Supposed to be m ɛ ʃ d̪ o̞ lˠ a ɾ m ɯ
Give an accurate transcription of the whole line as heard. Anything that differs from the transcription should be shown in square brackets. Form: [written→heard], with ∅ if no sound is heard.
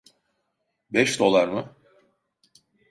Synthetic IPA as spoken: [m→b] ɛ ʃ d̪ o̞ lˠ a ɾ m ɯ